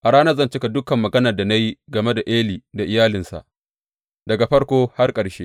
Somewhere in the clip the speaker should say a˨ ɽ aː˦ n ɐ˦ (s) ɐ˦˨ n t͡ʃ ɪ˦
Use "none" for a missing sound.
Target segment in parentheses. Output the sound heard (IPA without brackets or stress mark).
z